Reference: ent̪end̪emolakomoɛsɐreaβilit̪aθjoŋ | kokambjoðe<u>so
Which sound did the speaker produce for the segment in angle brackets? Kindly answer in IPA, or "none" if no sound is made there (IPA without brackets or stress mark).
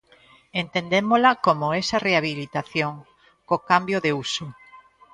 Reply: u